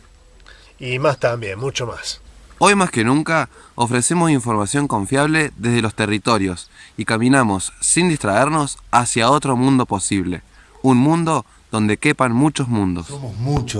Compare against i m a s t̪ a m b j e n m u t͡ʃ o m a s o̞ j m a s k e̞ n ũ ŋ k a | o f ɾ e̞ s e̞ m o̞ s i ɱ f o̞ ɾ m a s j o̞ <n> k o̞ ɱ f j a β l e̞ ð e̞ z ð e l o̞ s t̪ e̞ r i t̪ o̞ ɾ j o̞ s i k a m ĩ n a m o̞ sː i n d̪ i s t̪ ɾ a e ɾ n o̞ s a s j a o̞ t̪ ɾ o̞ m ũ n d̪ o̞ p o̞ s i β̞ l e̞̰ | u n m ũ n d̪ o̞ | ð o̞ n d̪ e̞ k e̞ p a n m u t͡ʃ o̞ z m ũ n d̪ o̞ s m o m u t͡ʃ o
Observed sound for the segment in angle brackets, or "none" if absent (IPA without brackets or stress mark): ŋ